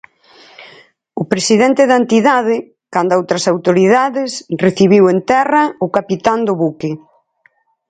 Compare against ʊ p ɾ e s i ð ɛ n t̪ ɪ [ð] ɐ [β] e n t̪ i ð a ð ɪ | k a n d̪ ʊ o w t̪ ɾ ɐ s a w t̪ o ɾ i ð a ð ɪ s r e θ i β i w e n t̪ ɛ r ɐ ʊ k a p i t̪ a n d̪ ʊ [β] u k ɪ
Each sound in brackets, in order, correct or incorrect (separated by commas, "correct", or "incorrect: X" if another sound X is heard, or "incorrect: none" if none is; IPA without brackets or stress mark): correct, incorrect: none, correct